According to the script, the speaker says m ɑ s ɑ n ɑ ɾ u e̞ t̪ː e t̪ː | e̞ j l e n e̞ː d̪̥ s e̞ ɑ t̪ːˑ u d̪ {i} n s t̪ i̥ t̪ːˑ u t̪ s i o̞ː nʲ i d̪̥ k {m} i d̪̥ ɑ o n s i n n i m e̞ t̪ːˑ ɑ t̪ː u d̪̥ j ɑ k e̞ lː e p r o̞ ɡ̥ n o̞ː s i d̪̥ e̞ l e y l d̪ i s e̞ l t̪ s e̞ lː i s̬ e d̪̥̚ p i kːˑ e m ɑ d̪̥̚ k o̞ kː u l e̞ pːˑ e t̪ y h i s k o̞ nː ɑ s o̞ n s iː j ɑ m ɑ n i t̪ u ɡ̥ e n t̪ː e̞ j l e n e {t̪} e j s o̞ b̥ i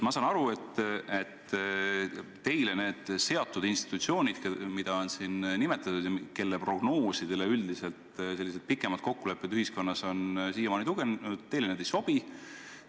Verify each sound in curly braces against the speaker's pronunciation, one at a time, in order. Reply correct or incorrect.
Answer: correct, correct, incorrect: d̪

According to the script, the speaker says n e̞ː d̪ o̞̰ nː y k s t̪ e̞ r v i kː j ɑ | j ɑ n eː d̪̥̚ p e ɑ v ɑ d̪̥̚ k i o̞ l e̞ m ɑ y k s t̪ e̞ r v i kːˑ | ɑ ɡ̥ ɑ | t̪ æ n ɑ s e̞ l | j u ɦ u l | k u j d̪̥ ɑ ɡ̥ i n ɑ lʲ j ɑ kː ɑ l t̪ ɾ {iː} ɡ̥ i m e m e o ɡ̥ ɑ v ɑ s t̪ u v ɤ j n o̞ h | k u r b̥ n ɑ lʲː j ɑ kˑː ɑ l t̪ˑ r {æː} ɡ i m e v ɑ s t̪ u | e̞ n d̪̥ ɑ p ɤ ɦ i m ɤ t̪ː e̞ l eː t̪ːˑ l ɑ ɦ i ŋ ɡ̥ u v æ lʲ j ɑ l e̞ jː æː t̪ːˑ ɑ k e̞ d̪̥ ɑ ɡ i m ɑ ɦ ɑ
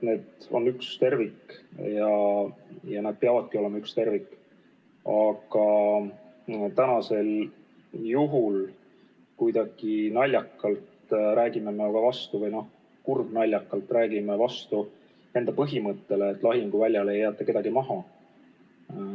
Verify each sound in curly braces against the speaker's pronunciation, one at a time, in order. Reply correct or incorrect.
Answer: incorrect: æː, correct

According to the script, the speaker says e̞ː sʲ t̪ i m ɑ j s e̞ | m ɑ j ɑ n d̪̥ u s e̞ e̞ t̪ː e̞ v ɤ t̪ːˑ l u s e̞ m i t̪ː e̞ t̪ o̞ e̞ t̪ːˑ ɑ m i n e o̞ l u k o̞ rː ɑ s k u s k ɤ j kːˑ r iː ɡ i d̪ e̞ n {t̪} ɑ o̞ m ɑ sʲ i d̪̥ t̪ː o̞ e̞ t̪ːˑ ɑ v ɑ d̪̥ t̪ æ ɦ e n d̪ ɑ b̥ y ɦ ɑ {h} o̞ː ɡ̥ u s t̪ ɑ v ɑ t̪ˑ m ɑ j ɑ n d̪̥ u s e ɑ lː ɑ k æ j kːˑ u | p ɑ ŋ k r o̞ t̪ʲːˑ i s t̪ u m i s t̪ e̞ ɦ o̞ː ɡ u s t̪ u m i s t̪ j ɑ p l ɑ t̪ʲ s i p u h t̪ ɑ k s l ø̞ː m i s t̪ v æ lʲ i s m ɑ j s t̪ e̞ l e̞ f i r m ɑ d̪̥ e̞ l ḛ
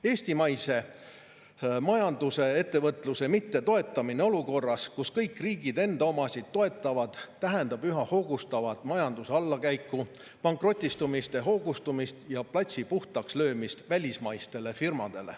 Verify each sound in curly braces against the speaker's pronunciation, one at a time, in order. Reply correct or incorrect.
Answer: incorrect: d̪, correct

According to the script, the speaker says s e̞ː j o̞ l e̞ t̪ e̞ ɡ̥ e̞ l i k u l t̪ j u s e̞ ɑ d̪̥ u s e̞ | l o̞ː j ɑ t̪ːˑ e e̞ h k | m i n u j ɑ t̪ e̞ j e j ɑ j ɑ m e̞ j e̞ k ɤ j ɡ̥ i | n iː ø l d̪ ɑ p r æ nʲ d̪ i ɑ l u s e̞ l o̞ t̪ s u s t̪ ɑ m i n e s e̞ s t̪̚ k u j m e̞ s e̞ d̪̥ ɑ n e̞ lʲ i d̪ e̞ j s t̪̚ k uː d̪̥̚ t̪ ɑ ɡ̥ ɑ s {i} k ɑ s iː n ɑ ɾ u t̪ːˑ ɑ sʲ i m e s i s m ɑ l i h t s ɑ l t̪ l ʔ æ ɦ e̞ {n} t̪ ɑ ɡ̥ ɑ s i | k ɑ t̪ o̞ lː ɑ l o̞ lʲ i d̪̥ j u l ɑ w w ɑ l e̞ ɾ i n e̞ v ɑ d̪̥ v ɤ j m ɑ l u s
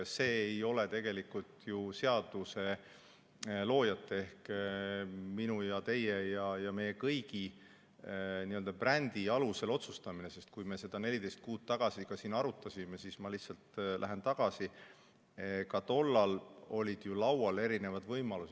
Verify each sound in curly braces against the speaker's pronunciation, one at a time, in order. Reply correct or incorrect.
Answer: correct, correct

